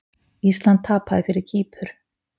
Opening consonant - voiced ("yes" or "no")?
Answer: no